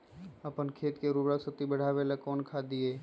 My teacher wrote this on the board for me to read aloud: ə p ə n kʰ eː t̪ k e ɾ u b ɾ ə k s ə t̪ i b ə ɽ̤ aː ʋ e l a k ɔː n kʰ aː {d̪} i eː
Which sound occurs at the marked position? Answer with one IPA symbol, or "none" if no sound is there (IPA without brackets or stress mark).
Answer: d̪